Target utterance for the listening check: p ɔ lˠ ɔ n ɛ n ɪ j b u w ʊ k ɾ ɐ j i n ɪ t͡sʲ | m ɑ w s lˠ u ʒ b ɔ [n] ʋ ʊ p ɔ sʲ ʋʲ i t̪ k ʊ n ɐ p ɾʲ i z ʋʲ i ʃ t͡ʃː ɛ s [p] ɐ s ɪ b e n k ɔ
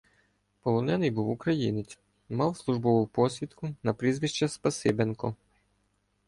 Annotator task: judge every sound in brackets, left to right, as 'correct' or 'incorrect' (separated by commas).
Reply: incorrect, correct